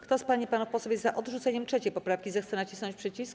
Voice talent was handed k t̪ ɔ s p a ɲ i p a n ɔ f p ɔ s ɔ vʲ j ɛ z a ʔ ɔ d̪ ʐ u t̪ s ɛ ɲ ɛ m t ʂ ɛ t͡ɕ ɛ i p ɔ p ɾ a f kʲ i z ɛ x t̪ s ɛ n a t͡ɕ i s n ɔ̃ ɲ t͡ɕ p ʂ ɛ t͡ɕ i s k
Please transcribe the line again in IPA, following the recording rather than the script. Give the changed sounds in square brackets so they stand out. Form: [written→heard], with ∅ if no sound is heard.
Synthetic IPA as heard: k t̪ ɔ s p a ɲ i p a n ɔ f p ɔ s ɔ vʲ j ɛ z a ʔ ɔ d̪ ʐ u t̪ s ɛ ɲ ɛ m t ʂ ɛ t͡ɕ ɛ [i→j] p ɔ p ɾ a f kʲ i z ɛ x t̪ s ɛ n a t͡ɕ i s n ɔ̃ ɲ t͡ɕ p ʂ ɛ t͡ɕ i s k